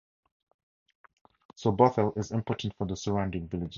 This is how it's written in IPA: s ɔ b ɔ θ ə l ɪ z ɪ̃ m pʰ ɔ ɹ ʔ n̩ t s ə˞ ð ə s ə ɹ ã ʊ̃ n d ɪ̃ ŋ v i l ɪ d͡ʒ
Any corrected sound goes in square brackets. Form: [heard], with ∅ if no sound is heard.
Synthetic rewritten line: s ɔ b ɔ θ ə l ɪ z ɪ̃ m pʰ ɔ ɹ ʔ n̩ t [f] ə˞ ð ə s ə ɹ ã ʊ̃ n d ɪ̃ ŋ v [ɪ] l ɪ d͡ʒ